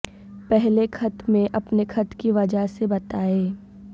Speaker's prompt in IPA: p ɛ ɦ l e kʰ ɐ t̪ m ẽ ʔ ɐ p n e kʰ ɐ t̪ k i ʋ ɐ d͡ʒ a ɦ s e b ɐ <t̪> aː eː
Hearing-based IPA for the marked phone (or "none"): t̪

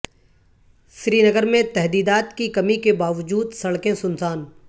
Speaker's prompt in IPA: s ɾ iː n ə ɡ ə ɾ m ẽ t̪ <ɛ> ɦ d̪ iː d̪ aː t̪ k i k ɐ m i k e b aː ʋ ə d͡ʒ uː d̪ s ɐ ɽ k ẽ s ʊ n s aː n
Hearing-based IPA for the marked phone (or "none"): ɛ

